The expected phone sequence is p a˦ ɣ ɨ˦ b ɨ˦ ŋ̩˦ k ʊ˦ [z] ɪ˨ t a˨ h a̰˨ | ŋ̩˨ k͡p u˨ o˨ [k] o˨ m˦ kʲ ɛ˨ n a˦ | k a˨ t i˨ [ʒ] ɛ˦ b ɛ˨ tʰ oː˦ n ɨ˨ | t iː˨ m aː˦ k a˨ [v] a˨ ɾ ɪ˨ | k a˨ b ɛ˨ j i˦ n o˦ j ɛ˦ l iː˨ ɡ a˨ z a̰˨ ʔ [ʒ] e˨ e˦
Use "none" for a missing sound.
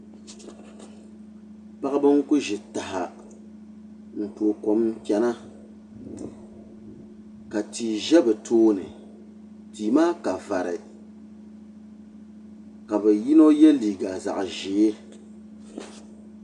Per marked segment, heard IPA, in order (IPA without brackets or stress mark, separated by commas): ʒ, k, ʒ, v, ʒ